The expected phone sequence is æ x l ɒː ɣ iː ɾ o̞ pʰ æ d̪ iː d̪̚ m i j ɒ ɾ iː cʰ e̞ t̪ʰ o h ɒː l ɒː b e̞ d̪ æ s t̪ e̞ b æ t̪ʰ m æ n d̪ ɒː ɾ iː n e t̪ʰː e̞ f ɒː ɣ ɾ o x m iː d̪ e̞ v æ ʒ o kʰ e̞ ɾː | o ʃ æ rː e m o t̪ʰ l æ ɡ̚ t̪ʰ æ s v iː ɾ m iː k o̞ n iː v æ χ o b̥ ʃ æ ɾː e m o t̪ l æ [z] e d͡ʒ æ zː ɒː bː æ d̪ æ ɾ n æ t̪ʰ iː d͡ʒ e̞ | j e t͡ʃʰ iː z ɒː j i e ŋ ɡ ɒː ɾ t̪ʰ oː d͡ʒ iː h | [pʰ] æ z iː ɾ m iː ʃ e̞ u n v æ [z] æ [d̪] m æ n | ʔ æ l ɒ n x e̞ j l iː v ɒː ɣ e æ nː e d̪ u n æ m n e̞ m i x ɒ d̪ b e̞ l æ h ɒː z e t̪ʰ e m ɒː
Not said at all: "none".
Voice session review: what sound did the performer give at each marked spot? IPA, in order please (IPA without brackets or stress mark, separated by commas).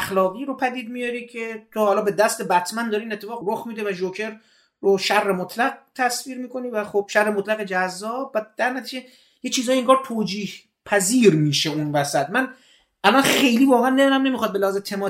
ɣ, pʰ, s, t̪